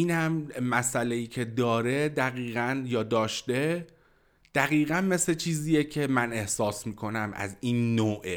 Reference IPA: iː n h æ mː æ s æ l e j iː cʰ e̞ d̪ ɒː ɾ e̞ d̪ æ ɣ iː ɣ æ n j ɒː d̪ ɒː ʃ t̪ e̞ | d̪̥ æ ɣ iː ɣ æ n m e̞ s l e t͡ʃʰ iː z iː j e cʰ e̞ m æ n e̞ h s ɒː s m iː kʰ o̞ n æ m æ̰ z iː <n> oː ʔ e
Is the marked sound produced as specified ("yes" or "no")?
no